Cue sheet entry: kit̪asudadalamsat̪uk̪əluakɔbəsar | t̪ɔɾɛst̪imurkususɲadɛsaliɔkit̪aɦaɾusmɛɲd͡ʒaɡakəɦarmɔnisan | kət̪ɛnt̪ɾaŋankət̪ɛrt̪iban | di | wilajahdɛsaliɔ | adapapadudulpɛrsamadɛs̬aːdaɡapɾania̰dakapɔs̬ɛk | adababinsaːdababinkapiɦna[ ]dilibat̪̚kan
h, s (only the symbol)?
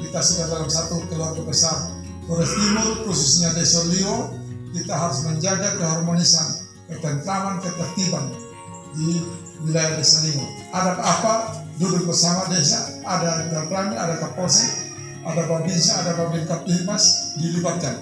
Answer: s